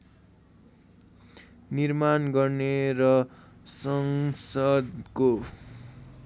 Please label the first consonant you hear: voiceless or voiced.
voiced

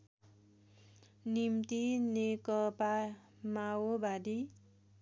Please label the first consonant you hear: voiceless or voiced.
voiced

